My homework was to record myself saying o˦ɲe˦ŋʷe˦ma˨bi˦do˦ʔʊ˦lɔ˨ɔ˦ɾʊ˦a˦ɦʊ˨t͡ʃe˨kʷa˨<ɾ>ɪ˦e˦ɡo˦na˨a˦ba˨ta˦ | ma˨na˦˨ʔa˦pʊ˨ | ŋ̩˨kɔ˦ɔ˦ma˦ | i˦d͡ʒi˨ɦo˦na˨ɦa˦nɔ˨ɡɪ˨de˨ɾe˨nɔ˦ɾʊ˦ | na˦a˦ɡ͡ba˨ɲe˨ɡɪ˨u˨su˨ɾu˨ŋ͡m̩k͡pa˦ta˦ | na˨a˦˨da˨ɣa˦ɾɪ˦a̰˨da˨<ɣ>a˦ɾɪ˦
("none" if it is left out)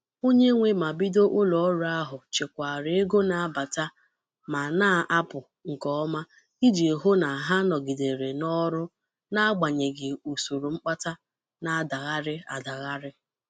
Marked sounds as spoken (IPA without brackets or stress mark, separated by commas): ɾ, ɣ